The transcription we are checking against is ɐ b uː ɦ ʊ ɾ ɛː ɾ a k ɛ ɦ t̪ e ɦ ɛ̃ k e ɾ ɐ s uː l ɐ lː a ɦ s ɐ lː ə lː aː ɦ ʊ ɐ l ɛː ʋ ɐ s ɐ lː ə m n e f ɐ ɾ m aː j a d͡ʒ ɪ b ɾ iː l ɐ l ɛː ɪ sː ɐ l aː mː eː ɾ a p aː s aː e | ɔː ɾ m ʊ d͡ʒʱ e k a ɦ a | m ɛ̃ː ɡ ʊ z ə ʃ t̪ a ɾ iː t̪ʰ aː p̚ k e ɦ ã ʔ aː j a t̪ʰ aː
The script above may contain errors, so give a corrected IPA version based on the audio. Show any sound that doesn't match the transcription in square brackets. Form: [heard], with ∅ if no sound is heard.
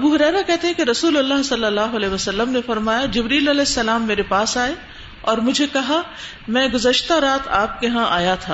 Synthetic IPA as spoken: ɐ b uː ɦ ʊ ɾ ɛː ɾ a k ɛ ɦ t̪ e ɦ ɛ̃ k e ɾ ɐ s uː l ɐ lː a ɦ s ɐ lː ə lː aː ɦ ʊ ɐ l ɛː ʋ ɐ s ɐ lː ə m n e f ɐ ɾ m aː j a d͡ʒ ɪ b ɾ iː l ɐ l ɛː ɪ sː ɐ l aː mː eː ɾ [e] p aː s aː e | ɔː ɾ m ʊ d͡ʒʱ e k [ɐ] ɦ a | m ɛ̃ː ɡ ʊ z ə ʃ t̪ a ɾ [aː] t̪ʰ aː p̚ k e ɦ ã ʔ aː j a t̪ʰ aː